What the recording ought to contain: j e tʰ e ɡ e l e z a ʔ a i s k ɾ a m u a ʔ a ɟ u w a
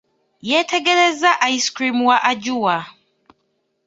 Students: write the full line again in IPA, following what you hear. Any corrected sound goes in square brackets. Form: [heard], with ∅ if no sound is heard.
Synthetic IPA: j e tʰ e ɡ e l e z a ʔ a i s k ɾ [i] m [w] a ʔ a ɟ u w a